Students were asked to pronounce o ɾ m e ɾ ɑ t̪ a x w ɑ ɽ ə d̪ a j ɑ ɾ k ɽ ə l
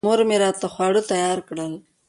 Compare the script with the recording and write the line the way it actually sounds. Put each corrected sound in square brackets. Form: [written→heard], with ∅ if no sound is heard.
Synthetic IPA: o ɾ m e ɾ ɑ t̪ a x w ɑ ɽ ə [d̪→t̪] a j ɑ ɾ k ɽ ə l

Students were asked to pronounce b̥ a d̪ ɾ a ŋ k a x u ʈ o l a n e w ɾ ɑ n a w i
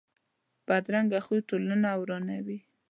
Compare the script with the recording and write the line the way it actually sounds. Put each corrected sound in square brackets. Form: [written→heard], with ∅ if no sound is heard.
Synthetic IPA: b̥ a d̪ ɾ a ŋ [k→ɡ] a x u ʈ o l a n [e→a] w ɾ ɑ n a w i

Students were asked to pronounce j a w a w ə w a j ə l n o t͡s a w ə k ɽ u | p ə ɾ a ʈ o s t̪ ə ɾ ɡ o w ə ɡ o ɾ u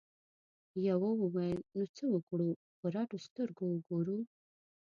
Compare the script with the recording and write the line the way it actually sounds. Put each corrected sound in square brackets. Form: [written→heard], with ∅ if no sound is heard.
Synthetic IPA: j a w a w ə w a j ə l n o t͡s [a→ə] w ə k ɽ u | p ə ɾ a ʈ o s t̪ ə ɾ ɡ o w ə ɡ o ɾ u

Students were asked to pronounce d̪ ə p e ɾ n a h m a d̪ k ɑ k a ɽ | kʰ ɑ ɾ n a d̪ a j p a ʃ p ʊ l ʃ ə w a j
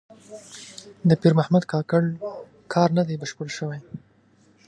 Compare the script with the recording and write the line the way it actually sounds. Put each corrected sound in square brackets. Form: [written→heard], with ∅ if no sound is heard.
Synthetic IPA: d̪ ə p [e→i] ɾ [n→m] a h m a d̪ k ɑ k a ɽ | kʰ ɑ ɾ n a d̪ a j [p→b] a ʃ p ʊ l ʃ ə w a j

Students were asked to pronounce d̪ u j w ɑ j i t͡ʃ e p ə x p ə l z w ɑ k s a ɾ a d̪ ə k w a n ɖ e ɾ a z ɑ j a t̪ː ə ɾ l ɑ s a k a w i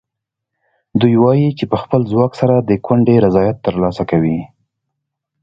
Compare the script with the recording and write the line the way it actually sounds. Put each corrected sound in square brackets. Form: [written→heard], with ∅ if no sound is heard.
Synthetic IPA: d̪ u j w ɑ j i t͡ʃ e p ə x p ə l z w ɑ k s a ɾ a d̪ ə k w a [n→ɳ] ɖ e ɾ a z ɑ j a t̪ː ə ɾ l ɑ s a k a w i

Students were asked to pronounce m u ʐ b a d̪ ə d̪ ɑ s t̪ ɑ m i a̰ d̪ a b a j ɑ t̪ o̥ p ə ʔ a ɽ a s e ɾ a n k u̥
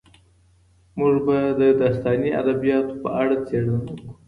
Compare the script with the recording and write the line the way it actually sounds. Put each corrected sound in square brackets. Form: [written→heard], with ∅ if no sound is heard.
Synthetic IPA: m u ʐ b a d̪ ə d̪ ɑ s t̪ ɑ [m→n] i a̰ d̪ a b [a→i] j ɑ t̪ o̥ p ə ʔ a ɽ a [s→t͡s] e [ɾ→ɽ] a n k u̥

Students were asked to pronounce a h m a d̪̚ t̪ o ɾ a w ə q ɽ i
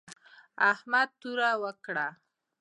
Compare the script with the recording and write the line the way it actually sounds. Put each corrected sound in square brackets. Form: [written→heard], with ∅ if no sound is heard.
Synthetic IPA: a h m a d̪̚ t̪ [o→u] ɾ a w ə [q→k] ɽ [i→a]

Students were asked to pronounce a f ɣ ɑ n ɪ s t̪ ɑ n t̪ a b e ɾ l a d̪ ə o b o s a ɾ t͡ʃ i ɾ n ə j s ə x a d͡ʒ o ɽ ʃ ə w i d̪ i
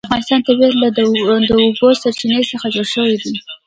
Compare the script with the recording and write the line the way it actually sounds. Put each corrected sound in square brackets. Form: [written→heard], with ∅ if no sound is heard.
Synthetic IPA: a f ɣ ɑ n ɪ s t̪ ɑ n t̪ a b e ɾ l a d̪ ə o b o s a ɾ t͡ʃ i [ɾ→∅] n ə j s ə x a d͡ʒ o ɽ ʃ ə w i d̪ i

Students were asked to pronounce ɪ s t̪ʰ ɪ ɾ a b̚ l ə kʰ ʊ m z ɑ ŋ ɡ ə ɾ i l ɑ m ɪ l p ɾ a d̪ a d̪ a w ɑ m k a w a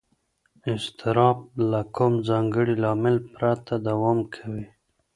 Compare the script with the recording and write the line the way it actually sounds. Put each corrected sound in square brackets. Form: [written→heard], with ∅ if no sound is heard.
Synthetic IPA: ɪ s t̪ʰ ɪ ɾ [a→ɑ] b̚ l [ə→a] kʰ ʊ m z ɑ ŋ ɡ ə [ɾ→ɽ] i l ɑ m ɪ l p ɾ a [d̪→t̪] a d̪ a w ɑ m [k→kʰ] a w [a→i]

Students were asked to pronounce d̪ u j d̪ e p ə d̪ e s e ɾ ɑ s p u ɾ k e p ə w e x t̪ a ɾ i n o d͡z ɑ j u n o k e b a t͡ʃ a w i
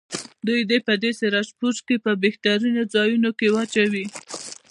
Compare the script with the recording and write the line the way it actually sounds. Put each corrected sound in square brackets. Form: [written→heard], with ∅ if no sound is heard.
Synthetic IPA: d̪ u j d̪ e p ə d̪ e s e ɾ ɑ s p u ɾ k e p ə [w→b] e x t̪ a ɾ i n o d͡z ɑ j u n o k e [b→w] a t͡ʃ a w i

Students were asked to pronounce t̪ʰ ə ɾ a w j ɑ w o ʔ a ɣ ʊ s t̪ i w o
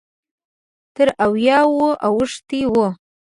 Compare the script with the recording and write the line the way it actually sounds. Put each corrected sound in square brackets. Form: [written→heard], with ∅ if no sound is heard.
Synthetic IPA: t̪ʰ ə ɾ a w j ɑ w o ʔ a [ɣ→w] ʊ [s→ʂ] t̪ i w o

